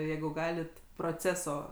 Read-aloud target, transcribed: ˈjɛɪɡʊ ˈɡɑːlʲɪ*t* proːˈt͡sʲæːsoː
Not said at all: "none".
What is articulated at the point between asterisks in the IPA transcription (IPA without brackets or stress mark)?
t